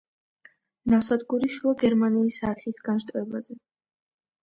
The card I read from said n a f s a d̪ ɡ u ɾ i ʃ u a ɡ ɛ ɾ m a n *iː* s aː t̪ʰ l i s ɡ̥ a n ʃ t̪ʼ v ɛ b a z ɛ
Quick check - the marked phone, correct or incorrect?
correct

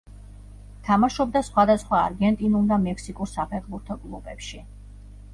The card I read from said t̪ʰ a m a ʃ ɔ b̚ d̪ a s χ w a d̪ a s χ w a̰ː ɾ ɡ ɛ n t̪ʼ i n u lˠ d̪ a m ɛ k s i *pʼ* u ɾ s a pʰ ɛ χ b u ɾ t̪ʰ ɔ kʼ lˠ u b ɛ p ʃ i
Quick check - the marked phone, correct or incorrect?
incorrect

